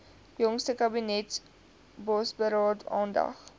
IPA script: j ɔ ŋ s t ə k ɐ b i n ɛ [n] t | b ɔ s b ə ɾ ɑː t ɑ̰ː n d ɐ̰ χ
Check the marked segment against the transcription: incorrect: none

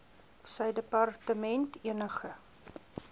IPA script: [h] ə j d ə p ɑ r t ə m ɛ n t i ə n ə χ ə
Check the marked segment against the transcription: incorrect: s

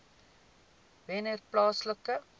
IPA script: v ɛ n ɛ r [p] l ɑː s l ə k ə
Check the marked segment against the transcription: correct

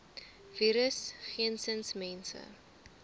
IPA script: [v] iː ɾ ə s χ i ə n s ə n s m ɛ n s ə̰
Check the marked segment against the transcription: correct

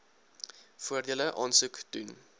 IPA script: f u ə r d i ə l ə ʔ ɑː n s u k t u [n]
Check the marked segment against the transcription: correct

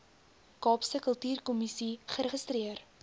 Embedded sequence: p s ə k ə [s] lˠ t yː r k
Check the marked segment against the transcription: incorrect: none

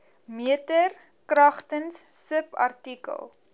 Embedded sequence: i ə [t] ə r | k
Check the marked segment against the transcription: correct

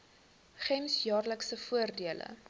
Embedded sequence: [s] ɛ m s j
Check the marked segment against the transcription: incorrect: χ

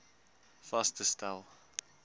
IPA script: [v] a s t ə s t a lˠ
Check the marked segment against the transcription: incorrect: f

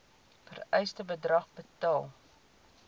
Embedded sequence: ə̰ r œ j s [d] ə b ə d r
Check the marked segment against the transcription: incorrect: t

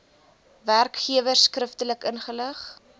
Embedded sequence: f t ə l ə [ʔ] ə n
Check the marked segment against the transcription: incorrect: k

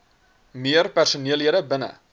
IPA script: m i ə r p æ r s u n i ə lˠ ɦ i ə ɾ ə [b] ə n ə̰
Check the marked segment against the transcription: correct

